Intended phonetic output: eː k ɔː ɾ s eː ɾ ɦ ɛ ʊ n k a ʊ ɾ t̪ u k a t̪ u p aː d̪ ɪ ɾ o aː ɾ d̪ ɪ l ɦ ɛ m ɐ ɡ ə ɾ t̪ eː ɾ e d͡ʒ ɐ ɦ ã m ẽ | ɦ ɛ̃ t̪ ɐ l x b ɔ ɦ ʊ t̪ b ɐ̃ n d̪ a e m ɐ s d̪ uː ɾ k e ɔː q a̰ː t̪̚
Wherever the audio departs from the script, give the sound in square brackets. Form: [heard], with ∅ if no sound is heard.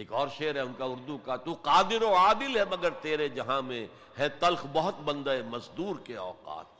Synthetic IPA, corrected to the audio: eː k ɔː ɾ [ʃ] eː ɾ ɦ ɛ ʊ n k a ʊ ɾ [d̪] u k a t̪ u [q] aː d̪ ɪ ɾ o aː [∅] d̪ ɪ l ɦ ɛ m ɐ ɡ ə ɾ t̪ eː ɾ e d͡ʒ ɐ ɦ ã m ẽ | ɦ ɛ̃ t̪ ɐ l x b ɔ ɦ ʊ t̪ b ɐ̃ n d̪ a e m ɐ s d̪ uː ɾ k e ɔː q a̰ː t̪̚